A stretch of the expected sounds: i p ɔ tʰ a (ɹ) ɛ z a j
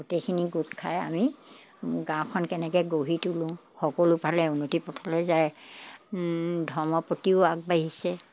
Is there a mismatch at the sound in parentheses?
yes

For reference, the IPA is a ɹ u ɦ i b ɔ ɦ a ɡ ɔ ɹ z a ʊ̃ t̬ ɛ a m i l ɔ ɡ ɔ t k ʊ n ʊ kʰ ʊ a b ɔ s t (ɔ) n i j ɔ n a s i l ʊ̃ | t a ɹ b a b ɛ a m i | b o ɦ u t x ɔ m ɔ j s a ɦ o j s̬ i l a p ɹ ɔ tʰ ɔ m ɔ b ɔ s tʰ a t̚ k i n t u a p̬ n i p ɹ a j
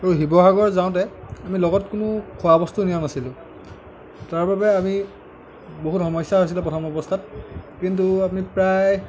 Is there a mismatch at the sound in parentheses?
yes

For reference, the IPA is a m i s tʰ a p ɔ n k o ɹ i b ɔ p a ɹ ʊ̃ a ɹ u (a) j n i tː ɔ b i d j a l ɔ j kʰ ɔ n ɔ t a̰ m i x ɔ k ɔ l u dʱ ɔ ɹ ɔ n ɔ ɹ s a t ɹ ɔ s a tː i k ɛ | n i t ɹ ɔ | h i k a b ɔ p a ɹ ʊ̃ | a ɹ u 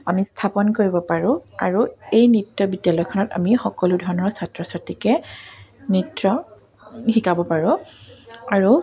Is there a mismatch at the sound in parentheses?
yes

